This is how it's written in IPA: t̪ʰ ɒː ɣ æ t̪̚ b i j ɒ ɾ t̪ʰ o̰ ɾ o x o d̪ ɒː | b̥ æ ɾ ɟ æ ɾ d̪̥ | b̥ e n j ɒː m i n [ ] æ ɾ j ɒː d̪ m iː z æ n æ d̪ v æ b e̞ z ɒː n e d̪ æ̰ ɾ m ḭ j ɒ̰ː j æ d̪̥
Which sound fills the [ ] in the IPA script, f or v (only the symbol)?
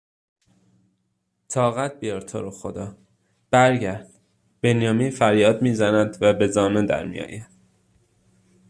f